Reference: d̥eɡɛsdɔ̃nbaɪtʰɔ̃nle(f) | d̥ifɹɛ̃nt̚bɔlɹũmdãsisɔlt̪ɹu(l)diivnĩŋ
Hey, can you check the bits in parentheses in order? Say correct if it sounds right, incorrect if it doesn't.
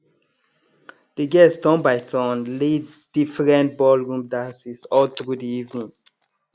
incorrect, incorrect

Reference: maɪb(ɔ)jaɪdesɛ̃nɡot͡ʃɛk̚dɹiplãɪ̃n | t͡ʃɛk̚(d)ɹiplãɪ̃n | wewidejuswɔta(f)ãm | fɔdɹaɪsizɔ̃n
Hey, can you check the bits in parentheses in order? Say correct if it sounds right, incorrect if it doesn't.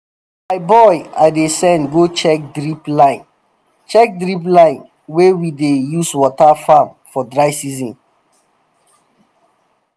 correct, correct, correct

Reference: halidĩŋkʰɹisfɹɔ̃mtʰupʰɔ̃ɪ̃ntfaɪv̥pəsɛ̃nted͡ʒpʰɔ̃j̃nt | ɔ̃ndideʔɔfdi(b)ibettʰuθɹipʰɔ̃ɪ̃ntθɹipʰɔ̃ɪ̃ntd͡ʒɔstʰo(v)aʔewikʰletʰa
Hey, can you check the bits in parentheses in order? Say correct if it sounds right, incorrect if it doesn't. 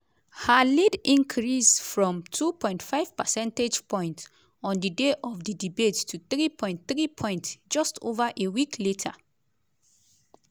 incorrect, correct

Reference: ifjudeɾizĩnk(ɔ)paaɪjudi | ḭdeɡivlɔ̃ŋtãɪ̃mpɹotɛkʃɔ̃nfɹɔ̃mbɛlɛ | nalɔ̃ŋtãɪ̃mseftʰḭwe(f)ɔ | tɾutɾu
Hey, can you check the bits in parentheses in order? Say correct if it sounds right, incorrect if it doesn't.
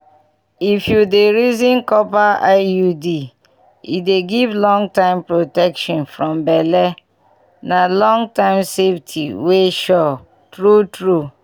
correct, incorrect

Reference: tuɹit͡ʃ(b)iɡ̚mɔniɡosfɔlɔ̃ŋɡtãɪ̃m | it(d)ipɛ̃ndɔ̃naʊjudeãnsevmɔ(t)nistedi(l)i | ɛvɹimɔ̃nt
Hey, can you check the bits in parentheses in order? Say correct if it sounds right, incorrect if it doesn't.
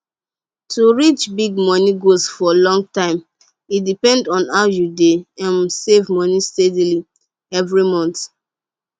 correct, correct, incorrect, correct

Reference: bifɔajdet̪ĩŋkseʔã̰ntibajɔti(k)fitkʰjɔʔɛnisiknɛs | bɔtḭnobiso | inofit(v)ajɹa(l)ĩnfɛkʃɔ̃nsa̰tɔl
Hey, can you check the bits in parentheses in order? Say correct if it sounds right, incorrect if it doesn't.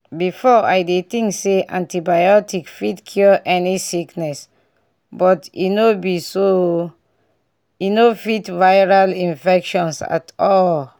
correct, correct, correct

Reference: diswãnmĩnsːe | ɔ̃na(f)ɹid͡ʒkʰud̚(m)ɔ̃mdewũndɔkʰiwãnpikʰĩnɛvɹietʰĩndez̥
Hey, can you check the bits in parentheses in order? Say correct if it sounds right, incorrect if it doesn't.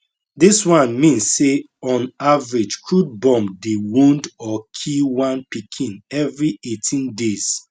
incorrect, incorrect

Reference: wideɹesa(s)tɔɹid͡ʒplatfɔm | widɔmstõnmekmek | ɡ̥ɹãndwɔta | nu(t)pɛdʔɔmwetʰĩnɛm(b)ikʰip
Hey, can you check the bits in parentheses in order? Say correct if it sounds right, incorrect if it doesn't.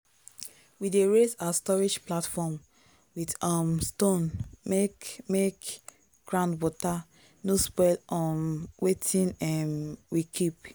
correct, incorrect, incorrect

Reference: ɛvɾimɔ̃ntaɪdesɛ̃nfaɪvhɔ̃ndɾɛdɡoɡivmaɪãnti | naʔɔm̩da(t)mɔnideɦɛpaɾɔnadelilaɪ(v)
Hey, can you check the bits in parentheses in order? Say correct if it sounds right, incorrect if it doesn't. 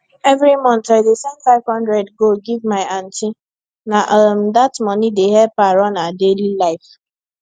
correct, incorrect

